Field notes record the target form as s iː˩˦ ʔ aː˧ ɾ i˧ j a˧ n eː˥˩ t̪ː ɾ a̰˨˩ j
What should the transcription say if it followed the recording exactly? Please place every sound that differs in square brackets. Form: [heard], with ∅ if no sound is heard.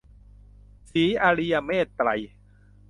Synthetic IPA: s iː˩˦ ʔ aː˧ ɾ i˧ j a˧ [m] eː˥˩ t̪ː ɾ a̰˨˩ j